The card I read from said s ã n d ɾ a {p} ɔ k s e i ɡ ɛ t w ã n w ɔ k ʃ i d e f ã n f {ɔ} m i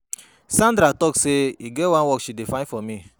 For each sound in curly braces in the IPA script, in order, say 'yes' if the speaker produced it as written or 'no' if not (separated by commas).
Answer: no, yes